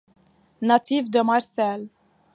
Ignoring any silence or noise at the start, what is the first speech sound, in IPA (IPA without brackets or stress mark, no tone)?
n